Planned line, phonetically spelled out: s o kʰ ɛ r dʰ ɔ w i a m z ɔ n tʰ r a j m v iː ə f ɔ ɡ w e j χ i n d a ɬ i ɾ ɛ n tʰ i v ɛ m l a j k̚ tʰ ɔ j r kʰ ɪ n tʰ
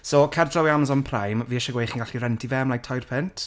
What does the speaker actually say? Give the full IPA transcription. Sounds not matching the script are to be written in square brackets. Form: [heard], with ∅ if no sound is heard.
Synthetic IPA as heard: s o kʰ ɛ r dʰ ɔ w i a m z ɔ n [pʰ] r a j m v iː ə [ʃ] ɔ ɡ w e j χ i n [ɡ] a ɬ i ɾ ɛ n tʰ i v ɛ m l a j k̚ tʰ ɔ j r [pʰ] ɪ n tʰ

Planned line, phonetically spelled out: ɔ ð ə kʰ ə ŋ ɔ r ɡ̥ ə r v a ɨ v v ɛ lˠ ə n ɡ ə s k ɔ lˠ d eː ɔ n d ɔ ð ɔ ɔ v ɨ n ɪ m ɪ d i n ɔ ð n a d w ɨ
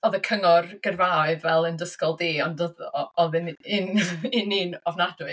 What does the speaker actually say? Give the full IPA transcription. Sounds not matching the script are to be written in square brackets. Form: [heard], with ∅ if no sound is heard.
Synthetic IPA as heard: ɔ ð ə kʰ ə ŋ ɔ r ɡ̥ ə r v a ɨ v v ɛ lˠ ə n [d] ə s k ɔ lˠ d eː ɔ n d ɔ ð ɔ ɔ [ð] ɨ n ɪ [n] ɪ [n] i n ɔ [v] n a d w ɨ

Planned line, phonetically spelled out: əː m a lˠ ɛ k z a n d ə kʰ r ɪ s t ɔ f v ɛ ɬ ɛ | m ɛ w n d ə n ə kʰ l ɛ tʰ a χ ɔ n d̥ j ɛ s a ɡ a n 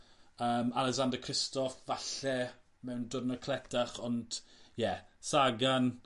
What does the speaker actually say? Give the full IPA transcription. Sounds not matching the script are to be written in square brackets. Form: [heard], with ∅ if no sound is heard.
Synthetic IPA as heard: əː m a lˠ ɛ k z a n d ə kʰ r ɪ s t ɔ f v [a] ɬ ɛ | m ɛ w n d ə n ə kʰ l ɛ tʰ a χ ɔ n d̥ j ɛ s a ɡ a n

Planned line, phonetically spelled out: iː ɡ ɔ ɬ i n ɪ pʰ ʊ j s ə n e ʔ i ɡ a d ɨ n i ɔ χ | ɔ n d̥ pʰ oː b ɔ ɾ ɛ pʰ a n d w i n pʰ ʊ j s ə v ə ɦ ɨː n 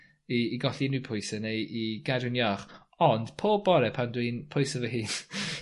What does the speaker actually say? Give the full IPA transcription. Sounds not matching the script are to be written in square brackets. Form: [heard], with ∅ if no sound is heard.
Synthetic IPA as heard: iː ɡ ɔ ɬ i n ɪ pʰ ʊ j s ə n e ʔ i ɡ a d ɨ n [j] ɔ χ | ɔ n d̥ pʰ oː b ɔ ɾ ɛ pʰ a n d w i n pʰ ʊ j s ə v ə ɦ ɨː n

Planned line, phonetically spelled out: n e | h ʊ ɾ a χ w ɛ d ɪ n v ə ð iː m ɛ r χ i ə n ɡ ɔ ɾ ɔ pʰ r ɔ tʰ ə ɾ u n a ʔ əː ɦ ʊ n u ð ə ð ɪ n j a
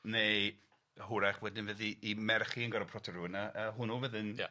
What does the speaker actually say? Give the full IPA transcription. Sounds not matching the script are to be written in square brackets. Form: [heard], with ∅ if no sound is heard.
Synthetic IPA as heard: n e | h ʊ ɾ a χ w ɛ d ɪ n v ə ð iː m ɛ r χ i ə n ɡ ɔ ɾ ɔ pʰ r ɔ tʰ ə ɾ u n a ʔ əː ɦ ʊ n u [v] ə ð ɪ n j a

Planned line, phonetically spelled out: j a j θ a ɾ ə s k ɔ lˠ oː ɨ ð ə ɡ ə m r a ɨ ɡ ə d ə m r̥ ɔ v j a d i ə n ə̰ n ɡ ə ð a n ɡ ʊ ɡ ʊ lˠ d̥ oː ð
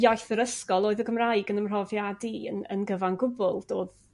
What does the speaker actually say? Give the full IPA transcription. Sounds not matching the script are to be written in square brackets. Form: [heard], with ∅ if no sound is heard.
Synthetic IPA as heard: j a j θ [ə] ɾ ə s k ɔ lˠ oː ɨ ð ə ɡ ə m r a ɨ ɡ ə [n] ə m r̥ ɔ v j a d i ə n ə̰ n ɡ ə [v] a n ɡ ʊ [b] ʊ lˠ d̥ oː ð

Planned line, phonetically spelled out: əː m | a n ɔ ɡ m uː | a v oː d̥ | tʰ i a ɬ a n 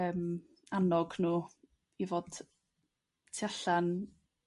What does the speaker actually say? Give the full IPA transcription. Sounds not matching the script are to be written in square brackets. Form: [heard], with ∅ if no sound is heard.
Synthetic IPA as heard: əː m | a n ɔ ɡ [n] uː | [i] v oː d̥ | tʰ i a ɬ a n

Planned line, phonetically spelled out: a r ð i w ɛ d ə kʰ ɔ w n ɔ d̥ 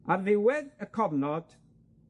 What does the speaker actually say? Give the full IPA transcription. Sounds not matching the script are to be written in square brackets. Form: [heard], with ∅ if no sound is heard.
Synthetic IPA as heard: a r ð [ɪ] w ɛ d ə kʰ ɔ [v] n ɔ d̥

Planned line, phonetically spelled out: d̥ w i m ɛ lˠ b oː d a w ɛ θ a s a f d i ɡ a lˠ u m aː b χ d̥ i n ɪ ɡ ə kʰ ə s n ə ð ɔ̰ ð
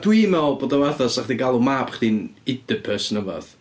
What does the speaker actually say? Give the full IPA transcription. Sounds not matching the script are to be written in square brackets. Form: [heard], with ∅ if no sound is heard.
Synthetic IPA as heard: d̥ w i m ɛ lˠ b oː d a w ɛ θ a s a [χ] d i ɡ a lˠ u m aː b χ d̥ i n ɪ [d] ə [pʰ] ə s n ə [v] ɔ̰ ð

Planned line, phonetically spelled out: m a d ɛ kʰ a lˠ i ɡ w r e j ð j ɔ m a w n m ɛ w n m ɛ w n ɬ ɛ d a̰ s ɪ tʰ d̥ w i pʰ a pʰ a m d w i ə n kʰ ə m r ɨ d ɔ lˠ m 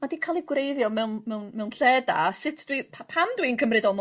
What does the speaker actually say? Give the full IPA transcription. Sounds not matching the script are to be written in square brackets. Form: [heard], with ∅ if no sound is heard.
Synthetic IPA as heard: m a d [i] kʰ a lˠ i ɡ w r e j ð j ɔ m [ɛ] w n m ɛ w n m ɛ w n ɬ ɛ d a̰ s ɪ tʰ d̥ w i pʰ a pʰ a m d w i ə n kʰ ə m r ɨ d ɔ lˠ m

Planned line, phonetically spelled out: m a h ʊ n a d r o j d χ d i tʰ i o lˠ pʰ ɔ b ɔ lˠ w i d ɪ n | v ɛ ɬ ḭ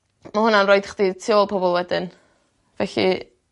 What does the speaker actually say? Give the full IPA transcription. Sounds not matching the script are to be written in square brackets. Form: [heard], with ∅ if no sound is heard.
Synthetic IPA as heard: m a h ʊ n a [n] r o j d χ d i tʰ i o lˠ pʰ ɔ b ɔ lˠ w [ɛ] d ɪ n | v ɛ ɬ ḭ

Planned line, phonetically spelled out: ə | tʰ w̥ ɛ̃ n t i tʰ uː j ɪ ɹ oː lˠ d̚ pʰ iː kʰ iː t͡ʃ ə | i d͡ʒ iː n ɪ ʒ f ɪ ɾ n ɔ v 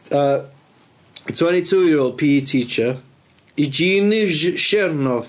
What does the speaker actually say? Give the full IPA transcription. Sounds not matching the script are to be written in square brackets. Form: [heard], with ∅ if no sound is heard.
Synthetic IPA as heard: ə | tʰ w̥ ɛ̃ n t i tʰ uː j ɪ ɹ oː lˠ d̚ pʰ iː [tʰ] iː t͡ʃ ə | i d͡ʒ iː n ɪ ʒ [ʃ] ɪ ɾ n ɔ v

